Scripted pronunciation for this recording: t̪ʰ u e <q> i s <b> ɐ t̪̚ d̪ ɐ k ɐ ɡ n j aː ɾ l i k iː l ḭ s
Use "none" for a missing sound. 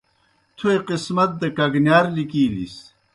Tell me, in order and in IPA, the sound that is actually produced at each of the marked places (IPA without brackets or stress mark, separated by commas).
q, m